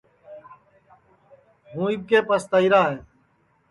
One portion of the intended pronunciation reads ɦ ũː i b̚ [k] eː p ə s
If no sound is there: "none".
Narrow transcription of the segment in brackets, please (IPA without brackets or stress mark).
k